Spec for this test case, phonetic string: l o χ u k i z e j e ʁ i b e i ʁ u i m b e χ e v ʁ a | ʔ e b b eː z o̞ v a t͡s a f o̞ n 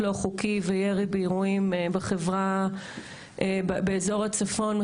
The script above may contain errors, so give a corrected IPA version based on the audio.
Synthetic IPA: l o χ u k i v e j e ʁ i b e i ʁ u i m b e χ e v ʁ a | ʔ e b b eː z o̞ ʁ a t͡s a f o̞ n